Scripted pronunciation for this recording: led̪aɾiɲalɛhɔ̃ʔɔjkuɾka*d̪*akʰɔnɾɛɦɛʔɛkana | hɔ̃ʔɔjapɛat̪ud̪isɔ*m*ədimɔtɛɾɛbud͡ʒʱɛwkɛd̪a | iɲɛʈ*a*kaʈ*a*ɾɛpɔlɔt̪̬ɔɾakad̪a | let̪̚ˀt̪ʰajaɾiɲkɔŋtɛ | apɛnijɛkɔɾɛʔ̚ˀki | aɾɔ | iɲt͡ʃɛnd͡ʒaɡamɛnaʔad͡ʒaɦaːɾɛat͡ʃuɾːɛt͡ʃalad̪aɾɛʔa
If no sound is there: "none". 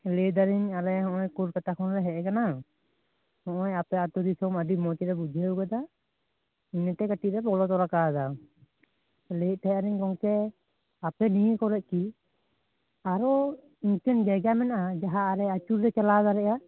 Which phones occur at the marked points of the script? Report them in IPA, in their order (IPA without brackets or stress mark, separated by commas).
t̪, m, ɛ, i